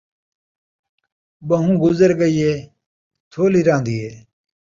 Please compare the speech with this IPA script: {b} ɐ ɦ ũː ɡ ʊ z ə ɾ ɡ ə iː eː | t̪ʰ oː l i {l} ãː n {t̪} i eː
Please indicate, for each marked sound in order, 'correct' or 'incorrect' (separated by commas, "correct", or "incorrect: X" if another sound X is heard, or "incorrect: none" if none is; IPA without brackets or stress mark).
correct, incorrect: ɾ, incorrect: d̪